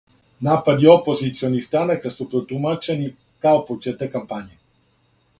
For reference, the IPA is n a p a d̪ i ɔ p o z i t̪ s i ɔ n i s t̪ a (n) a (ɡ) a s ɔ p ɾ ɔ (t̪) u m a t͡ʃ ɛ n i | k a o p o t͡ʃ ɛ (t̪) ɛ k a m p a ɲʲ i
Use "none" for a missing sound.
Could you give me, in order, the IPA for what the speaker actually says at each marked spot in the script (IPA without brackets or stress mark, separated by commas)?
n, k, t̪, t̪